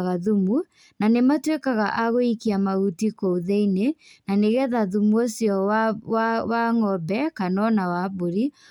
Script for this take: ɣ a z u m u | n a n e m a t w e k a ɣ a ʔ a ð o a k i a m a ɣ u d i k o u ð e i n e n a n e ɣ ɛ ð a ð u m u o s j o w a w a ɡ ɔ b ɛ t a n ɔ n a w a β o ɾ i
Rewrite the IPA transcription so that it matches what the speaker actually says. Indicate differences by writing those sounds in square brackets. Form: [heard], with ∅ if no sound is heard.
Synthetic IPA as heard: ɣ a [ð] u m u | n a n e m a t w e k a ɣ a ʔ a [ɣ] o [i] k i a m a ɣ u [t] i k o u ð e i n e n a n e ɣ ɛ ð a ð u m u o s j [ɔ] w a w a [ŋ] ɔ b ɛ [k] a n ɔ n a w a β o ɾ i

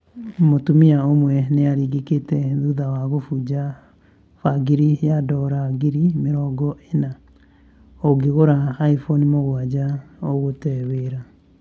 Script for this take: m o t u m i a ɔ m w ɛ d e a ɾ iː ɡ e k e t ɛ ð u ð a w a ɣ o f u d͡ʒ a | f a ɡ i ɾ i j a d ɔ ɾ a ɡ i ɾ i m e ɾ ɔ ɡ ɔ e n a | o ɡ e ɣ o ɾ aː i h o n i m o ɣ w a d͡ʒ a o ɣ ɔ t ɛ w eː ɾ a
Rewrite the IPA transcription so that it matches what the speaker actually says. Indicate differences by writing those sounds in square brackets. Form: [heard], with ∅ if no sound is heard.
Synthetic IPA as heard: m o t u m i a [o] m w ɛ [n] e a ɾ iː ɡ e k e t ɛ ð u ð a w a ɣ o f u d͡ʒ a | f a ɡ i ɾ i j a d ɔ ɾ a ɡ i ɾ i m e ɾ ɔ ɡ ɔ e n a | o ɡ e ɣ o ɾ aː i [f] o n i m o ɣ w a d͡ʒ a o ɣ [o] t ɛ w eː ɾ a

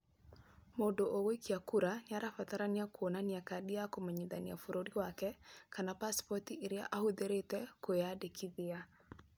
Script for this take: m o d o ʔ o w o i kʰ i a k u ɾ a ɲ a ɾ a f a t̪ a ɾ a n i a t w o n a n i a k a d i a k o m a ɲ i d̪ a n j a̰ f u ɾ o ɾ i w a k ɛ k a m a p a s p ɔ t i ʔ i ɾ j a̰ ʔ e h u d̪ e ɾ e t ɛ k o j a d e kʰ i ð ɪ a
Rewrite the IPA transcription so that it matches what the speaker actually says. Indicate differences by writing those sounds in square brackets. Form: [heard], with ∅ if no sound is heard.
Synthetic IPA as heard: m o d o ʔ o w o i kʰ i a k u ɾ a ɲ a ɾ a f a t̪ a ɾ a n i a [k] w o n a n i a k a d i a k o m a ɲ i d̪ a n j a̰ f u ɾ o ɾ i w a k ɛ k a [n] a p a s p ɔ t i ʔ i ɾ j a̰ ʔ [a] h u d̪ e ɾ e t ɛ k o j a d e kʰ i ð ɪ a

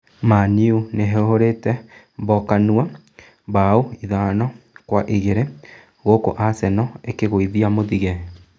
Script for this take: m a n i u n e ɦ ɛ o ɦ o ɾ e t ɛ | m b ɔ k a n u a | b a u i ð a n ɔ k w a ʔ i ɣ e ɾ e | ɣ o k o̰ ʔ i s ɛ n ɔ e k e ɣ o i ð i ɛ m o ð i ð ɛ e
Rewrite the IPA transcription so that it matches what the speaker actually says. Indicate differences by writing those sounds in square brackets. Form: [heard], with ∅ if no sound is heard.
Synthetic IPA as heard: m a n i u n e ɦ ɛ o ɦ o ɾ e t ɛ | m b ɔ k a n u a | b a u i ð a n ɔ k w a ʔ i ɣ e ɾ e | ɣ o k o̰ ʔ [a] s ɛ n ɔ e k e ɣ o i ð i [a] m o ð i [ɣ] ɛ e

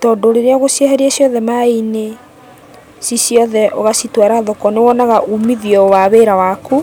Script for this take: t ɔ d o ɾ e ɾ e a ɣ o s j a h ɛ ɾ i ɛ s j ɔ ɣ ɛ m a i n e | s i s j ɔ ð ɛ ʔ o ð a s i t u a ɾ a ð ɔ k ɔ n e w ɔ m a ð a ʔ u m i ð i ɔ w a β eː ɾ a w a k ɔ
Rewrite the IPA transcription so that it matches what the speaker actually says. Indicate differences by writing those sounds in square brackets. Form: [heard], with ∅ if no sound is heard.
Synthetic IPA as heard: t ɔ d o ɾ e ɾ e a ɣ o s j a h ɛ ɾ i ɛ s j ɔ [ð] ɛ m a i n e | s i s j ɔ ð ɛ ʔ o [ɣ] a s i t [w] a ɾ a ð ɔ k ɔ n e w ɔ [n] a [ɣ] a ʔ u m i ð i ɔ w a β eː ɾ a w a k [u]

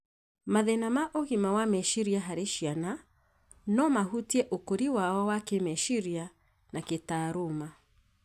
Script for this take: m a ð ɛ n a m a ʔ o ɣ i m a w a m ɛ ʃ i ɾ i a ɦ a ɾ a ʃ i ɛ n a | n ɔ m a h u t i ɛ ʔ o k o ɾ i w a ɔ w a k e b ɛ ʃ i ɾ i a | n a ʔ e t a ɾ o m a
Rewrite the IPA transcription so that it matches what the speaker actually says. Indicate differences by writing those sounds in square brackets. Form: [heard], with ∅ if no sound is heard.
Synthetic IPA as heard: m a ð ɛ n a m a ʔ o ɣ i m a w a m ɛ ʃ i ɾ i a ɦ a ɾ [e] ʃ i [a] n a | n ɔ m a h u t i ɛ ʔ o k o ɾ i w a ɔ w a k e [m] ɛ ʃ i ɾ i a | n a [k] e t a ɾ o m a

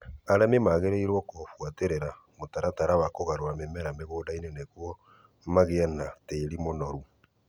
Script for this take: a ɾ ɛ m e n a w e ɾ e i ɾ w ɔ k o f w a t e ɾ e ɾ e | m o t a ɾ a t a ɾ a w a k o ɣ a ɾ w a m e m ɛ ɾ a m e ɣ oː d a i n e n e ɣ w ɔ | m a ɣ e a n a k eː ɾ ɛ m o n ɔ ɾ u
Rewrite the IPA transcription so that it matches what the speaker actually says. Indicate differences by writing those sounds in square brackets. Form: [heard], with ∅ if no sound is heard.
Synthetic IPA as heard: a ɾ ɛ m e [m] a [ɣ] e ɾ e i ɾ w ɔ k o f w a t e ɾ e ɾ [a] | m o t a ɾ a t a ɾ a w a k o ɣ a ɾ w a m e m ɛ ɾ a m e ɣ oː d a i n e n e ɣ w ɔ | m a ɣ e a n a [t] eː ɾ [i] m o n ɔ ɾ u

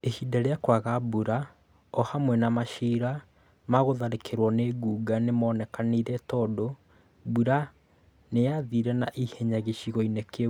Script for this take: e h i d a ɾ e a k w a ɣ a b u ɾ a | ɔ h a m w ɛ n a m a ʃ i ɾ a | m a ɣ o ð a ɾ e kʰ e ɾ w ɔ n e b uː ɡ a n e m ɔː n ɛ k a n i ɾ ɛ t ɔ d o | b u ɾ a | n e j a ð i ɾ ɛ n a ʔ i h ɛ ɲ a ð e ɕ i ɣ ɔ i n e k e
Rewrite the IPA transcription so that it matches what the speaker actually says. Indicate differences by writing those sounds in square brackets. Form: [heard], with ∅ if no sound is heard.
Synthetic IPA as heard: e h i d a ɾ e a k w a ɣ a b u ɾ a | ɔ h a m w ɛ n a m a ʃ i ɾ a | m a ɣ o ð a ɾ e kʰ e ɾ w ɔ n e [ɡ] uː ɡ a n e m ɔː n ɛ k a n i ɾ ɛ t ɔ d o | b u ɾ a | n e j a ð i ɾ ɛ n a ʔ i h ɛ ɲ a [ɣ] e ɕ i ɣ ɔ i n e k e

